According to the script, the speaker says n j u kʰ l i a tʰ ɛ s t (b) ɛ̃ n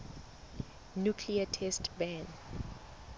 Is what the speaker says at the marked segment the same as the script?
yes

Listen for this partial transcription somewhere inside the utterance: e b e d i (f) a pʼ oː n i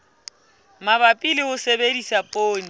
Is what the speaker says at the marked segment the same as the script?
no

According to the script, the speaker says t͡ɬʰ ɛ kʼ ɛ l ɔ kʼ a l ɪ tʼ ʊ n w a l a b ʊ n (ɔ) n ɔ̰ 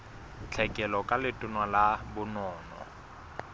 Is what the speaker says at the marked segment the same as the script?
no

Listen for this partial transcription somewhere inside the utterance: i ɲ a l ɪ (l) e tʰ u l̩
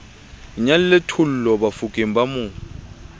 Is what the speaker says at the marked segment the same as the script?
yes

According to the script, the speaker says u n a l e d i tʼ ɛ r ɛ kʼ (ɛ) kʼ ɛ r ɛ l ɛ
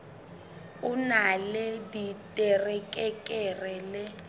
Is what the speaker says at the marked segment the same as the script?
yes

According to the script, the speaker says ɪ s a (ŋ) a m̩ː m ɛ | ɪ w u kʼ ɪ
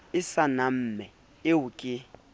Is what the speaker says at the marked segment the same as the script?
no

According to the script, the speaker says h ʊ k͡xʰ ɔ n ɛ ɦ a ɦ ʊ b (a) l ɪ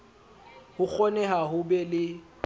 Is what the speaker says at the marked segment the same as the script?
no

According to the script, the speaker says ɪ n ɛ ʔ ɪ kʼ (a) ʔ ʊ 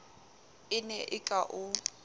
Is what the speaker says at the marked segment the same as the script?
yes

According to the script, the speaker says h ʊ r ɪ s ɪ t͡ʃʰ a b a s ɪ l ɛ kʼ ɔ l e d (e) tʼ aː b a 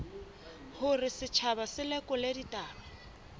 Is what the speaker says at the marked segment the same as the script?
no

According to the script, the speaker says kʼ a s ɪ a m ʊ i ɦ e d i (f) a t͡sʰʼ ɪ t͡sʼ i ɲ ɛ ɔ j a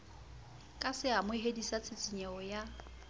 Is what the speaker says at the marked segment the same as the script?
no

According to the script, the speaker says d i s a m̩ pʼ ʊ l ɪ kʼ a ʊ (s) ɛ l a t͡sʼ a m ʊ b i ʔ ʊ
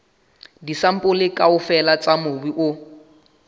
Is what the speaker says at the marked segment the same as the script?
no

